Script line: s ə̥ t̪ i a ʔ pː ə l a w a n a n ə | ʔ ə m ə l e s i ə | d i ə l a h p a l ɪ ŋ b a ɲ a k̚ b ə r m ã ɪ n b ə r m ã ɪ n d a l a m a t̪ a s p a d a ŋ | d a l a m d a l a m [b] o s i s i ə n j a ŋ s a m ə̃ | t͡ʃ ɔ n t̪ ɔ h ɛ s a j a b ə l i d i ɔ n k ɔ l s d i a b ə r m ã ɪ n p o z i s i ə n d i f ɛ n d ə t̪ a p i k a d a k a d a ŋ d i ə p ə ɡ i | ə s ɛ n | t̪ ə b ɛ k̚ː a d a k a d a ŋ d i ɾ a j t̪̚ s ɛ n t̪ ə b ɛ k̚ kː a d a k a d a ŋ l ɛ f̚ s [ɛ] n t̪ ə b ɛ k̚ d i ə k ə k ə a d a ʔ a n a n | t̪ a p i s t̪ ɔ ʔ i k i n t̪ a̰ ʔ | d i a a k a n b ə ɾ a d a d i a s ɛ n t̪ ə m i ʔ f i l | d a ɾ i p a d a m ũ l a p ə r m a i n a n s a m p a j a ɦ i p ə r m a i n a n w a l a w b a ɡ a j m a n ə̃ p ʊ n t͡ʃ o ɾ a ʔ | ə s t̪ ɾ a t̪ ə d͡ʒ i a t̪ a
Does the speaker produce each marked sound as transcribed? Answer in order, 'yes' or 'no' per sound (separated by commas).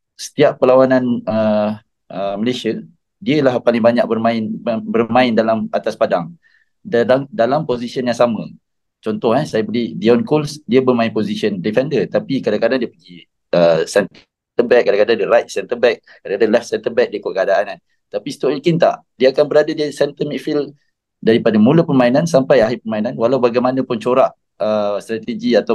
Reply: no, yes